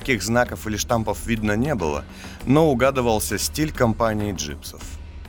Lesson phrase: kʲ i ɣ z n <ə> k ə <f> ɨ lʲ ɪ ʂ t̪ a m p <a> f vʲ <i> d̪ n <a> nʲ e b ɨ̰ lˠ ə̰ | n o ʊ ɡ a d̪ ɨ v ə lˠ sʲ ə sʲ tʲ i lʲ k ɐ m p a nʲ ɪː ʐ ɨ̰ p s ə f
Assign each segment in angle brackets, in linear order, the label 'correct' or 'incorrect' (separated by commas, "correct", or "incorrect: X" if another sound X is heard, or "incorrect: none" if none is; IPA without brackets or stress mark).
incorrect: a, correct, incorrect: ə, correct, incorrect: ə